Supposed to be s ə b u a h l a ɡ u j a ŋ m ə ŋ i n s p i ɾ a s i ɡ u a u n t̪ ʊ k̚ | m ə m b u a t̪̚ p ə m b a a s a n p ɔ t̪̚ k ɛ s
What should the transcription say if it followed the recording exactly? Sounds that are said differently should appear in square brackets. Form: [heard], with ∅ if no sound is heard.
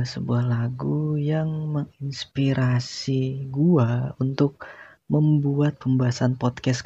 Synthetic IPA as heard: s ə b u a h l a ɡ u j a ŋ m ə ŋ i n s p i ɾ a s i ɡ u a u n t̪ ʊ k̚ | m ə m b u a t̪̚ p ə m b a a s a n p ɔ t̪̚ k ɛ s